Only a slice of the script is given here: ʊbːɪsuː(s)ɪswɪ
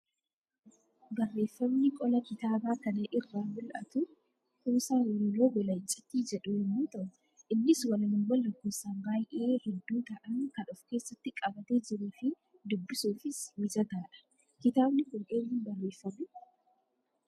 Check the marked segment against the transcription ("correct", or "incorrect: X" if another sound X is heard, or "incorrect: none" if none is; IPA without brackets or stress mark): incorrect: f